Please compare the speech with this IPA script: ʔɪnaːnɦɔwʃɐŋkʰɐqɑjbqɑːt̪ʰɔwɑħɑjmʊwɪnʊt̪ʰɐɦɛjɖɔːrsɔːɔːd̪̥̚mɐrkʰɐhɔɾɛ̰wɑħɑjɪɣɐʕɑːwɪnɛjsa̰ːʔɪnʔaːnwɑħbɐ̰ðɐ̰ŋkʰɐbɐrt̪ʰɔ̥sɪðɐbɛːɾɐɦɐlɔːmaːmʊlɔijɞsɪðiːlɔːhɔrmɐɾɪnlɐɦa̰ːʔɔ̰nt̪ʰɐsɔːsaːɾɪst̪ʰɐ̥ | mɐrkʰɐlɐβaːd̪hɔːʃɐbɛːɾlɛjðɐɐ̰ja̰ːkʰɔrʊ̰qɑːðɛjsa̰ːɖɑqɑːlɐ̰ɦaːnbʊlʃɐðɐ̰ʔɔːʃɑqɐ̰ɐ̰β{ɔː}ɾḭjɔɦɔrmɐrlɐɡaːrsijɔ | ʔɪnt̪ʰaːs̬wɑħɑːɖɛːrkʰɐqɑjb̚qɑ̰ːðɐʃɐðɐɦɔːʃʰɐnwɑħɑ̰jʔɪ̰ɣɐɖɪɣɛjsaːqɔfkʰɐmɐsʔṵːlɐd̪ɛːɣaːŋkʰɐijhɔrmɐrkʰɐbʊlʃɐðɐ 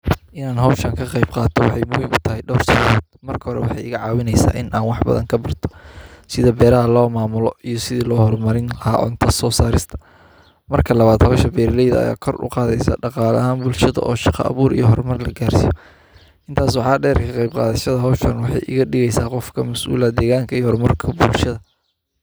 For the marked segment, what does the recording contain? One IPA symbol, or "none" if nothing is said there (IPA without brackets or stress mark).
uː